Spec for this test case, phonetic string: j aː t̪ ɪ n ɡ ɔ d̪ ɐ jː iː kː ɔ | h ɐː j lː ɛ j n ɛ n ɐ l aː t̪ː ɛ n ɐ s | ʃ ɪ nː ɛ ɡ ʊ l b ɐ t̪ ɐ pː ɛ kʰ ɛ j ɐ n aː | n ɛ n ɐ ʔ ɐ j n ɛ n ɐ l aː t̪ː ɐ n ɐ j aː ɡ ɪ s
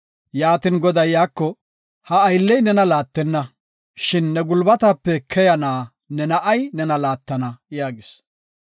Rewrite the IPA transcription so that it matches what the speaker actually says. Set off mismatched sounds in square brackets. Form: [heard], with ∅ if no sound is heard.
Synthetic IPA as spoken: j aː t̪ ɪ n ɡ ɔ d̪ ɐ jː [aː] kː ɔ | h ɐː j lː ɛ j n ɛ n ɐ l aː t̪ː ɛ [nː] ɐ [∅] | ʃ ɪ nː ɛ ɡ ʊ l b ɐ t̪ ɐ pː ɛ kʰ ɛ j ɐ n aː | n ɛ n ɐ ʔ ɐ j n ɛ n ɐ l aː t̪ː ɐ n ɐ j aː ɡ ɪ s